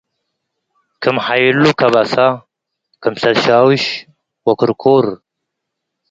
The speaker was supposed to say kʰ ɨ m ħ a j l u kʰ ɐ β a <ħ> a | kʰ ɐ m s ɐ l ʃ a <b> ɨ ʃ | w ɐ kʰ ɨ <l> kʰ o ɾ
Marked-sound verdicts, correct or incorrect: incorrect: s, incorrect: w, incorrect: ɾ

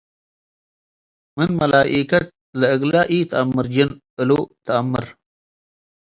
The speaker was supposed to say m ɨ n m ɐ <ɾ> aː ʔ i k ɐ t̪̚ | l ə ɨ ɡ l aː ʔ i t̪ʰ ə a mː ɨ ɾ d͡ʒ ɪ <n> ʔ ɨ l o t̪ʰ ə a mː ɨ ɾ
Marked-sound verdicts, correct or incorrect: incorrect: l, correct

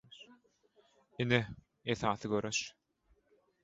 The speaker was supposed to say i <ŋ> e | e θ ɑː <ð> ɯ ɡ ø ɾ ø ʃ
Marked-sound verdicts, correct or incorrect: incorrect: n, incorrect: θ

